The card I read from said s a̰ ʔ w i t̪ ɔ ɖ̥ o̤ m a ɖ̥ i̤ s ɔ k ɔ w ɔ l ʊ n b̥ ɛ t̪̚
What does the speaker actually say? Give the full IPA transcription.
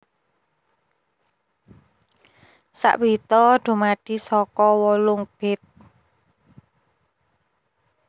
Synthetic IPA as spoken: s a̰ ʔ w i t̪ ɔ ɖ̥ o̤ m a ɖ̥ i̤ s ɔ k ɔ w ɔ l ʊ ŋ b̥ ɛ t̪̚